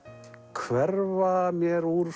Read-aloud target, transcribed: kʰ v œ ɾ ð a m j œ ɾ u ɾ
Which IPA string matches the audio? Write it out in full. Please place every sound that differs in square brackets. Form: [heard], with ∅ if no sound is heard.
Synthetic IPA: kʰ v [ɛ] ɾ [v] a m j [ɛ] ɾ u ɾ